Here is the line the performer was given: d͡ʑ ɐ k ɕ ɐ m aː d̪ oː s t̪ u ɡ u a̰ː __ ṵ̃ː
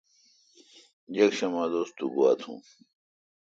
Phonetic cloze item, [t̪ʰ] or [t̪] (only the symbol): t̪ʰ